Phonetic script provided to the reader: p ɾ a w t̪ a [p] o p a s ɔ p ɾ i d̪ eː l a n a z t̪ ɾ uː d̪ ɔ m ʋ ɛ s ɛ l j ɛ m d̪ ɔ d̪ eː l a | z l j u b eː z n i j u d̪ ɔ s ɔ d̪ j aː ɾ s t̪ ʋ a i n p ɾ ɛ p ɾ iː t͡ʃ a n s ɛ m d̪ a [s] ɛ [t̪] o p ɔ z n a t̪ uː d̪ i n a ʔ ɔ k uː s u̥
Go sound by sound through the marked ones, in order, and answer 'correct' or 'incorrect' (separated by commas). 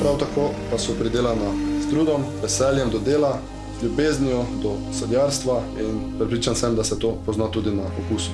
incorrect, correct, correct